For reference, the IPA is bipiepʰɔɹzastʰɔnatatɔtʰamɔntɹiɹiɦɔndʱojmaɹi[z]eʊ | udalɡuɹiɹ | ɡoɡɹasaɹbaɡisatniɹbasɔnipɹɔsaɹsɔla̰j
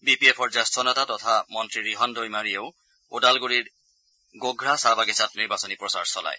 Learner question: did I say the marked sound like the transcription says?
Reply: no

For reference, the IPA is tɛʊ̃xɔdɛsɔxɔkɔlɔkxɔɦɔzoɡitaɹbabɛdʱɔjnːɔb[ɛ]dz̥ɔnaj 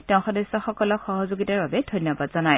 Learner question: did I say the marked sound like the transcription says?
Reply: no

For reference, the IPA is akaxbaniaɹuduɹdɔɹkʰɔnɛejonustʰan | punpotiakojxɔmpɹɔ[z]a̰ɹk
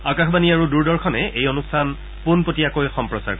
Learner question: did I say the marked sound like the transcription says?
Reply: no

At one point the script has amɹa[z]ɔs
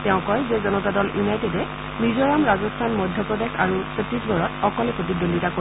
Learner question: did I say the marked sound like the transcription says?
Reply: yes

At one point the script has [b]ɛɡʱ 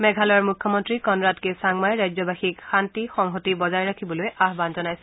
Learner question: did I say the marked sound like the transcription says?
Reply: no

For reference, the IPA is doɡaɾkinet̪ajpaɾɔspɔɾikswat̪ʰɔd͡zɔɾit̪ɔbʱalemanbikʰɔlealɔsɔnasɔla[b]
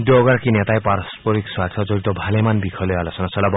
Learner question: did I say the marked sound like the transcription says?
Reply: yes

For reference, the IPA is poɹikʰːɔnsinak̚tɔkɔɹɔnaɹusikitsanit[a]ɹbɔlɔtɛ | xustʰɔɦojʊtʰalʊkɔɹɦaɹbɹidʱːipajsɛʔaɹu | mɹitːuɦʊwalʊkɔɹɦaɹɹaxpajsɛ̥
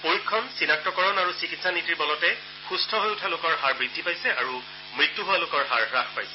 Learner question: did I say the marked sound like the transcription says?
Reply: no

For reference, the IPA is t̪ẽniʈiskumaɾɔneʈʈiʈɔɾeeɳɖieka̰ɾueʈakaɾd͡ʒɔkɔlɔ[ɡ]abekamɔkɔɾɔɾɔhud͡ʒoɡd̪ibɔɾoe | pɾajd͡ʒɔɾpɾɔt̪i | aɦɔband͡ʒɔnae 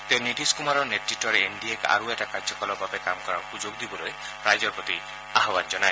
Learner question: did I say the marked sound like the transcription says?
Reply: no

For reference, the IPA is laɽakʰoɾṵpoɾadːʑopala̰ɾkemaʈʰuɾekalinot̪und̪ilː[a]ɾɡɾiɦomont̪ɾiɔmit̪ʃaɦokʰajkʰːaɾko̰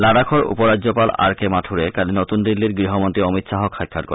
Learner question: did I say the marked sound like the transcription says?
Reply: no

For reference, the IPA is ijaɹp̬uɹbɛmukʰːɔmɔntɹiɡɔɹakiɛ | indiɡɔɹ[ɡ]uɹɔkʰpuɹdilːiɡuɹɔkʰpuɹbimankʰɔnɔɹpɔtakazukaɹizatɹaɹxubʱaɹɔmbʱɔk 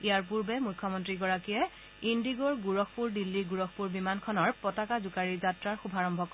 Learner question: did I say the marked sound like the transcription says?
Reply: yes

